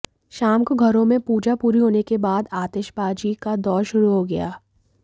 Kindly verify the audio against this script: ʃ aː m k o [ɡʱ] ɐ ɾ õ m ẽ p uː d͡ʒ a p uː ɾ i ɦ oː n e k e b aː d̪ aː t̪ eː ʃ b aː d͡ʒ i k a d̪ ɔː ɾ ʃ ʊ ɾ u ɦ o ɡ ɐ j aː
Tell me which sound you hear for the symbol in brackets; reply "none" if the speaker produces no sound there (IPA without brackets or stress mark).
ɡʱ